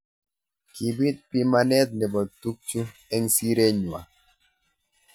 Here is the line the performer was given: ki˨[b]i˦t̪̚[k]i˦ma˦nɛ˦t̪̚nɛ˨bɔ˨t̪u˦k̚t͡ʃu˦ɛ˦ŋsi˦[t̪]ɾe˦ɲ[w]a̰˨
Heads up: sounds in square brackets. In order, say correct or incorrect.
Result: correct, incorrect: p, incorrect: none, correct

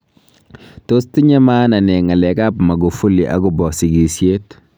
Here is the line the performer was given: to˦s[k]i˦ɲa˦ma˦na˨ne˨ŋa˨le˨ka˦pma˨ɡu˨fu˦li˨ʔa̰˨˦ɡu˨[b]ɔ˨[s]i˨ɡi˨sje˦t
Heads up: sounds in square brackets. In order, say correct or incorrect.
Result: incorrect: t, correct, correct

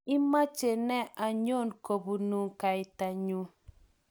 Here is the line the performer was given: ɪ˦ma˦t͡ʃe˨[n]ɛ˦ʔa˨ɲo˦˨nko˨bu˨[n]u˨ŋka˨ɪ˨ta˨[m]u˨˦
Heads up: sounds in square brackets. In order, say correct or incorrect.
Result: correct, correct, incorrect: ɲ

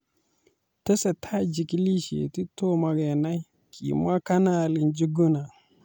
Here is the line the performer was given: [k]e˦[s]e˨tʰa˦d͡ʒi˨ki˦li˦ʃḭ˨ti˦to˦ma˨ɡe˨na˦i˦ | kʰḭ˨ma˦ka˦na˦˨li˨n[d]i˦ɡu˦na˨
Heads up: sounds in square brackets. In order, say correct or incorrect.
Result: incorrect: t, correct, incorrect: d͡ʒ

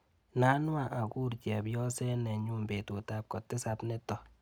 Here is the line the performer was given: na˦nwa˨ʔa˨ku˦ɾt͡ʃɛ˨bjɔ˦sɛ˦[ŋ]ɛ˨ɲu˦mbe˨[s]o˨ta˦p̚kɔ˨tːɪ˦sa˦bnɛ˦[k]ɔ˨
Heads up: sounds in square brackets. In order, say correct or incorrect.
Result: incorrect: n, incorrect: t, incorrect: t

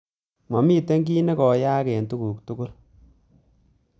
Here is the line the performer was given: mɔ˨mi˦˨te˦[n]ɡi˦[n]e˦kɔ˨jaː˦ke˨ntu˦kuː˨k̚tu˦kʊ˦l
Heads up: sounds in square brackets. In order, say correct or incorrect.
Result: incorrect: ŋ, correct

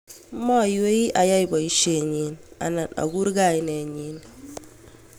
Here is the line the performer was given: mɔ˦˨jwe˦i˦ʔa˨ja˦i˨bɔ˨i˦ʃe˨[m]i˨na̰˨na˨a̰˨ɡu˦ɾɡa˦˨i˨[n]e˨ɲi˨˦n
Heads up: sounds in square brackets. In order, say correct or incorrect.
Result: incorrect: ɲ, correct

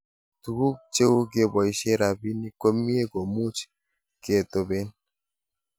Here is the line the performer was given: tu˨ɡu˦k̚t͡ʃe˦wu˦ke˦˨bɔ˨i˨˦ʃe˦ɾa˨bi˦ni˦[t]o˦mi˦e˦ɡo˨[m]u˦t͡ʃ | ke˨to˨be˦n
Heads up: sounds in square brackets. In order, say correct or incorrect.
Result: incorrect: k, correct

